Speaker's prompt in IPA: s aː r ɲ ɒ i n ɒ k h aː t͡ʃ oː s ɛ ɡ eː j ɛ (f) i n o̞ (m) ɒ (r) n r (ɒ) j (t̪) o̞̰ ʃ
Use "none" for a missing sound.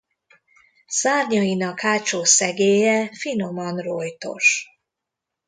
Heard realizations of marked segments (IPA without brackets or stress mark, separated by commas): f, m, none, o, t̪